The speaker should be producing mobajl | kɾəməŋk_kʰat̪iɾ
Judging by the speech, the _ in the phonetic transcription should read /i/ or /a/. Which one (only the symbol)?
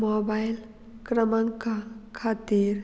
a